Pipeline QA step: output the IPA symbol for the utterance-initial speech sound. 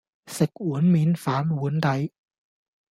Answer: s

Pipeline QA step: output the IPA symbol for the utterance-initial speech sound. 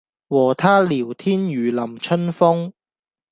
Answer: w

